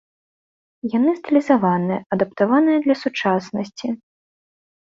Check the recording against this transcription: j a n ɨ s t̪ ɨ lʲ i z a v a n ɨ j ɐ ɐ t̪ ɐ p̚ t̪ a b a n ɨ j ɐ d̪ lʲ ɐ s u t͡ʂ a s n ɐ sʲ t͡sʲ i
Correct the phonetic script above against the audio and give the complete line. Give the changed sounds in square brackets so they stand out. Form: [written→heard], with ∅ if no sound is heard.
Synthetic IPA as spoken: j a n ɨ s t̪ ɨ lʲ i z a v a n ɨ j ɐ ɐ [t̪→d̪] ɐ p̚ t̪ a [b→v] a n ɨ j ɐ d̪ lʲ ɐ s u t͡ʂ a s n ɐ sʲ t͡sʲ i